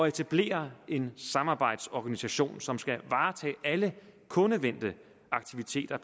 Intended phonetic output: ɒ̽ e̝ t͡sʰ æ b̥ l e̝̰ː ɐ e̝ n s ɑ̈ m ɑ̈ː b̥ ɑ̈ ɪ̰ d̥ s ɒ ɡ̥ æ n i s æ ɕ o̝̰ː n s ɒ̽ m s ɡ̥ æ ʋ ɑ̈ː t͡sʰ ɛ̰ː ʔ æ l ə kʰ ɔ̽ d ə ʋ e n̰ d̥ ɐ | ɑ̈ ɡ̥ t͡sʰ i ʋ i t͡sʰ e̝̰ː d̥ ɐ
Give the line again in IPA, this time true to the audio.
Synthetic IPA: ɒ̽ e̝ t͡sʰ æ b̥ l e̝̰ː ɐ e̝ n s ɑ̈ m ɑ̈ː b̥ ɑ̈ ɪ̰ d̥ s ɒ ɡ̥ æ n i s æ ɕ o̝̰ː n s ɒ̽ m s ɡ̥ æ ʋ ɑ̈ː t͡sʰ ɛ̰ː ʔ æ l ə kʰ ɔ̽ n ə ʋ e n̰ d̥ ə | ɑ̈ ɡ̥ t͡sʰ i ʋ i t͡sʰ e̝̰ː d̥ ɐ